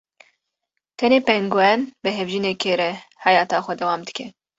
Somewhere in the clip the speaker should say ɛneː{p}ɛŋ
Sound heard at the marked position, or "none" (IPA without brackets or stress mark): p